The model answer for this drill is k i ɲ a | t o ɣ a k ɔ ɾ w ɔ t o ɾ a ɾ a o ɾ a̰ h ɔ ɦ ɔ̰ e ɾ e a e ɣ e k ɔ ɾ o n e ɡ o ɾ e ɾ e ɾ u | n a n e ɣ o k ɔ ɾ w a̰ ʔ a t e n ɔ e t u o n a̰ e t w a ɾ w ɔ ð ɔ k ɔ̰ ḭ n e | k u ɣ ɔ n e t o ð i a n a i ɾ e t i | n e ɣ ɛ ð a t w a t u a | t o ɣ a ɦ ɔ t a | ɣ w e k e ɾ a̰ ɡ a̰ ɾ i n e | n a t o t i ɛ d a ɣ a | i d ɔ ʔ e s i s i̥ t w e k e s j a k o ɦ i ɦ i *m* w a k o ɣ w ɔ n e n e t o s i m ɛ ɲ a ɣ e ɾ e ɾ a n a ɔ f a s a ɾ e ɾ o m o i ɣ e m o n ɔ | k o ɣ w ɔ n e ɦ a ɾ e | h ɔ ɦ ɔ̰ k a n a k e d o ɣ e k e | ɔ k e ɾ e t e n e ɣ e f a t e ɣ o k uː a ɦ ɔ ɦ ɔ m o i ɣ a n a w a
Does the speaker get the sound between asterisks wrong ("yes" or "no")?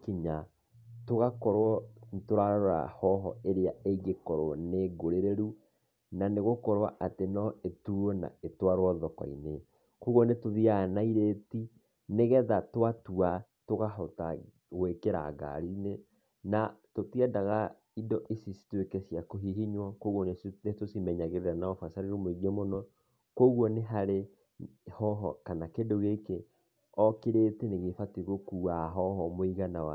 yes